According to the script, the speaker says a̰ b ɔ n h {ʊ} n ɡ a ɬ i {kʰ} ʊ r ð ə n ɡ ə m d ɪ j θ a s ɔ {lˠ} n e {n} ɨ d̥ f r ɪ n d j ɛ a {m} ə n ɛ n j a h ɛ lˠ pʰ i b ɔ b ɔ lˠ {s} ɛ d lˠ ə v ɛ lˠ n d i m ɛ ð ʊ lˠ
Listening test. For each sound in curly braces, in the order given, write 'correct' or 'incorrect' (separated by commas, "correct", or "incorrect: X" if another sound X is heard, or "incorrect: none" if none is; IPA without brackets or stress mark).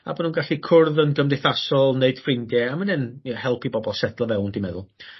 incorrect: u, correct, correct, incorrect: none, correct, correct